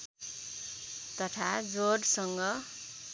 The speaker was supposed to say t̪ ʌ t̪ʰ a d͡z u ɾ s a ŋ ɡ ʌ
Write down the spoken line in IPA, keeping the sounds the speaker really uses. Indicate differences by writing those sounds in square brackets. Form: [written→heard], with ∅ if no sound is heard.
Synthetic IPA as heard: t̪ ʌ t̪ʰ a d͡z [u→o] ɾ s [a→ʌ] ŋ ɡ ʌ